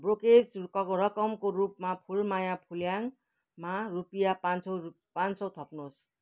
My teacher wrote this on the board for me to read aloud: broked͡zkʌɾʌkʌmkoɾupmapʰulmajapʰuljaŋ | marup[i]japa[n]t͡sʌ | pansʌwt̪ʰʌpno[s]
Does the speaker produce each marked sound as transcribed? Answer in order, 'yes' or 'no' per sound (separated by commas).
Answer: yes, yes, yes